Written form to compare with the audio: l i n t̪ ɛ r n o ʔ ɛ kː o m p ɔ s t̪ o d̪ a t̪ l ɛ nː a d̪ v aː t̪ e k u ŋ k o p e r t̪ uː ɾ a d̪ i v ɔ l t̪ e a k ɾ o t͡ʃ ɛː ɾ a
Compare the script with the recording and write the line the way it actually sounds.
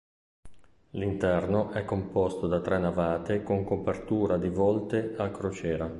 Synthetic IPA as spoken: l i n t̪ ɛ r n o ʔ ɛ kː o m p ɔ s t̪ o d̪ a t̪ ɾ ɛ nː a v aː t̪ e k o ŋ k o p e r t̪ uː ɾ a d̪ i v ɔ l t̪ e a k ɾ o t͡ʃ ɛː ɾ a